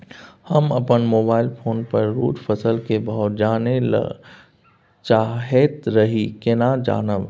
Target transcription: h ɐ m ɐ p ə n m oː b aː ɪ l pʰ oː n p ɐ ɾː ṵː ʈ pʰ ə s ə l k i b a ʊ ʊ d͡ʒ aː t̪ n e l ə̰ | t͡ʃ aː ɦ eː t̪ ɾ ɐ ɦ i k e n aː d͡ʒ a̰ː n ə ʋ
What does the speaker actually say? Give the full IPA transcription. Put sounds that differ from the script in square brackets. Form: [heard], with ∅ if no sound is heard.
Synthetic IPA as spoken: h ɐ m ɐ p ə n m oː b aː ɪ l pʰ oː n p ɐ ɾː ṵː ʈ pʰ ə s ə l k [e] b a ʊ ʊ d͡ʒ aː [∅] n e l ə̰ | t͡ʃ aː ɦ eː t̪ ɾ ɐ ɦ i k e n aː d͡ʒ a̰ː n ə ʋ